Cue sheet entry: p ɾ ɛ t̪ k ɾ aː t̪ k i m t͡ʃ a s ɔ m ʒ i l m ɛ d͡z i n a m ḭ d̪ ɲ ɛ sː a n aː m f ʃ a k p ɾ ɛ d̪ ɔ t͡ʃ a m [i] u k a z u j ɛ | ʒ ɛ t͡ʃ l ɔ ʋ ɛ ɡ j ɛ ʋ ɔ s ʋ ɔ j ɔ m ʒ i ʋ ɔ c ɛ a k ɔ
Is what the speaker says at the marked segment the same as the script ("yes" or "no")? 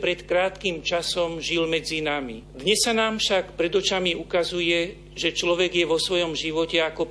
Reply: yes